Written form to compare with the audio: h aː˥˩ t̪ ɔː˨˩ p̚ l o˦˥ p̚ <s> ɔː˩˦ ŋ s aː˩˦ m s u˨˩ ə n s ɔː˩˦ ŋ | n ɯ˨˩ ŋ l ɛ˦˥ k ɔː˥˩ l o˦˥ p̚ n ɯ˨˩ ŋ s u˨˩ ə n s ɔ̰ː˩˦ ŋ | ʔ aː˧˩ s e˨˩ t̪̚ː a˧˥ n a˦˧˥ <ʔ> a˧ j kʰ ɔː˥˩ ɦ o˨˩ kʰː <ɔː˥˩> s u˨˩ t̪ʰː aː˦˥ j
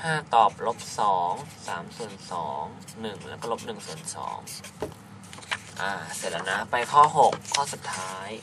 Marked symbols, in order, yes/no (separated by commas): yes, no, yes